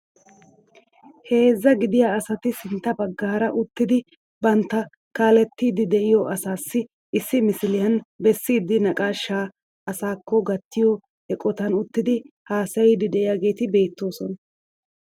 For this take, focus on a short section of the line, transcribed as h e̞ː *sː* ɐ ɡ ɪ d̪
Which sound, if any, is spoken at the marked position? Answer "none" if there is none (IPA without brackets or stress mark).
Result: zː